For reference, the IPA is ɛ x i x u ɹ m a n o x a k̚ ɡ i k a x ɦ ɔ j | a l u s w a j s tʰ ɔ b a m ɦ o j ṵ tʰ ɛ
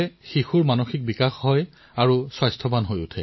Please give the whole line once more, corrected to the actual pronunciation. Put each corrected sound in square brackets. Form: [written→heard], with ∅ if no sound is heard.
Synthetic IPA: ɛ x i x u ɹ m a n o x [a→i] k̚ [ɡ→b] i k a x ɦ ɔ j | a [l→ɹ] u s w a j s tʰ ɔ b a [m→n] ɦ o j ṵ tʰ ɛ